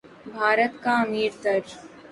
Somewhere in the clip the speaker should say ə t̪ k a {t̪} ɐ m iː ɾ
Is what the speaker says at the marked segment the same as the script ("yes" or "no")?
no